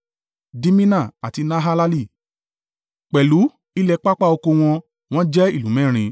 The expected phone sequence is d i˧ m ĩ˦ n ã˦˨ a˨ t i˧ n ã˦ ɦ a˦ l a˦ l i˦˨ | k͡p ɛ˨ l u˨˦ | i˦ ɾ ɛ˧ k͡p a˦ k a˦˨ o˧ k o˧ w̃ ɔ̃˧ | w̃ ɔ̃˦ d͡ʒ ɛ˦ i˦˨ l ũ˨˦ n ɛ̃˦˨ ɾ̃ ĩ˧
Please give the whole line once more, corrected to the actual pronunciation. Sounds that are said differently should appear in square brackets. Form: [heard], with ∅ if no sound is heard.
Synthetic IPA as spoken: d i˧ m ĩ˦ n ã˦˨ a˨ t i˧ n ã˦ ɦ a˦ l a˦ l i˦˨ | k͡p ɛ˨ l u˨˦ | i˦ [l] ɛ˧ k͡p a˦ [k͡p] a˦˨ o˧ k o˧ w̃ ɔ̃˧ | w̃ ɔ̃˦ d͡ʒ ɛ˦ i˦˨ l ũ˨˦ [m] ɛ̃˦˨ ɾ̃ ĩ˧